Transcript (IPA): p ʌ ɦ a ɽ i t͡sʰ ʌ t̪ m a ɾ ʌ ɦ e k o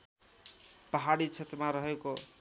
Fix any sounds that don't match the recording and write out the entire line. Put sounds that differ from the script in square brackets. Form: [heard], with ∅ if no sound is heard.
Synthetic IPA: p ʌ ɦ a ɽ i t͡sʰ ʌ t̪ m a ɾ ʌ ɦ e k o